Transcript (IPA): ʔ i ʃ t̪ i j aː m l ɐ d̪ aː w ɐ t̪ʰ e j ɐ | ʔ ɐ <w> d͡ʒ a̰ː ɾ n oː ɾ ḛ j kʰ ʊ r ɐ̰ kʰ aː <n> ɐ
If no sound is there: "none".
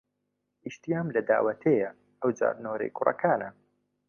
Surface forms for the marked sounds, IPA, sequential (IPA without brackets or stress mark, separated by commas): w, n